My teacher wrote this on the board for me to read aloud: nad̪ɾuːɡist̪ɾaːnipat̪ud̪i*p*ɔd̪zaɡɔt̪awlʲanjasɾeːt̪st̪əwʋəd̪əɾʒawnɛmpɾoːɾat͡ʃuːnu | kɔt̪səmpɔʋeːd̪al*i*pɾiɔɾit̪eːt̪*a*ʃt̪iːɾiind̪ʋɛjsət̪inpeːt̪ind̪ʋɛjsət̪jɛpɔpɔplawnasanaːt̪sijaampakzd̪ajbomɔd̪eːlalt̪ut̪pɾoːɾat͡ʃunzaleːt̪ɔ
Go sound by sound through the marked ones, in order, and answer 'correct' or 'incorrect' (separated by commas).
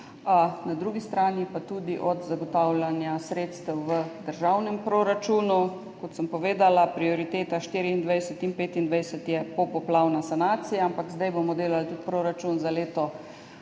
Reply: incorrect, incorrect, correct